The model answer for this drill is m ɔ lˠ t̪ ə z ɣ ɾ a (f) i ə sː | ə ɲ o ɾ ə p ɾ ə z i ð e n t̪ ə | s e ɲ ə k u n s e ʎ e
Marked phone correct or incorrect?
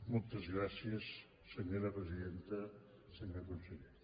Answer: incorrect